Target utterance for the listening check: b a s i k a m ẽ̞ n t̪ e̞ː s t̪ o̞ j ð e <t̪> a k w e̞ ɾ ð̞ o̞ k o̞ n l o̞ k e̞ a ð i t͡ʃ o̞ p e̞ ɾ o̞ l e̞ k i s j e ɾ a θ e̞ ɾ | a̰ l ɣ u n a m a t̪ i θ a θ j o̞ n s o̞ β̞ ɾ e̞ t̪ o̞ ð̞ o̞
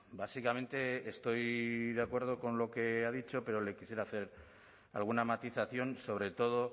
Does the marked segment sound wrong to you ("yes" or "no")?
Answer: yes